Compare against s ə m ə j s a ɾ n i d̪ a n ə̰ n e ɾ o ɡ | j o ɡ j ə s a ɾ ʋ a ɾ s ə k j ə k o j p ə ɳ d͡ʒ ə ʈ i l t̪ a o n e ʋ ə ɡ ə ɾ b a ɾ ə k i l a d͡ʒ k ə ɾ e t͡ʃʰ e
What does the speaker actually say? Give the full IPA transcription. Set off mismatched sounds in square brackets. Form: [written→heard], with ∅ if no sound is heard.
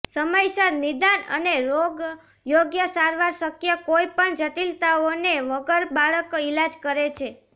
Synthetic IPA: s ə m ə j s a ɾ n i d̪ a n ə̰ n e ɾ o ɡ | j o ɡ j ə s a ɾ ʋ a ɾ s ə k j ə k o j p ə ɳ d͡ʒ ə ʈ i l t̪ a o n e ʋ ə ɡ ə ɾ b a [ɾ→ɭ] ə k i l a d͡ʒ k ə ɾ e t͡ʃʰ e